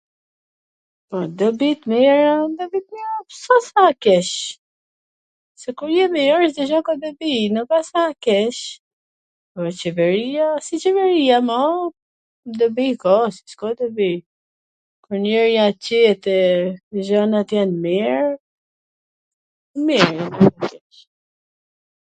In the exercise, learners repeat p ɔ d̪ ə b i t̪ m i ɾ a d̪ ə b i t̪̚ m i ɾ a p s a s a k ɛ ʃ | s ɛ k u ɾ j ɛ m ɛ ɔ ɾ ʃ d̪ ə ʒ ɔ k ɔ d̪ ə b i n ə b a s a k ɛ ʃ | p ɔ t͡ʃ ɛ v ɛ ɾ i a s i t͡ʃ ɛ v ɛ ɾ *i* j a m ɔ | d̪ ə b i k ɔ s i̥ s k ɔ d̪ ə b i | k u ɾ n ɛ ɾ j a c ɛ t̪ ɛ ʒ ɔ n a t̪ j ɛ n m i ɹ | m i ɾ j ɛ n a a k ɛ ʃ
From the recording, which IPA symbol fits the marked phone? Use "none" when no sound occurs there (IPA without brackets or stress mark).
i